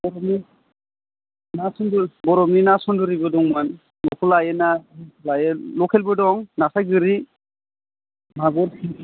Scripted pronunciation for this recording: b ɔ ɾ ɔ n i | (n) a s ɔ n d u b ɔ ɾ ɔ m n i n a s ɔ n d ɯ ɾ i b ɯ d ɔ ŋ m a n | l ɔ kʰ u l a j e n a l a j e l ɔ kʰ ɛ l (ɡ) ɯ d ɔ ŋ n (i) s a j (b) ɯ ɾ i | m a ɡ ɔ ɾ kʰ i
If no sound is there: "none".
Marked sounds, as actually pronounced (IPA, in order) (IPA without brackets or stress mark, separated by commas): n, b, a, ɡ